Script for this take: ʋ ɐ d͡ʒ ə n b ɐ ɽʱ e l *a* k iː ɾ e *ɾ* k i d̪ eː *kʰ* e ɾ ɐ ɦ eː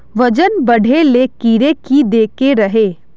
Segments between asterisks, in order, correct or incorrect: incorrect, incorrect, incorrect

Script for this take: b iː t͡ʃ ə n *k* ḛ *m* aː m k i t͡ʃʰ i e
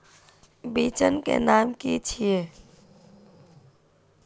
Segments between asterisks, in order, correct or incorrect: correct, incorrect

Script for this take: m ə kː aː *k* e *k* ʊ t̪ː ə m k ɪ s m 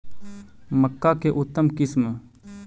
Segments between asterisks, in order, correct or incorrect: correct, incorrect

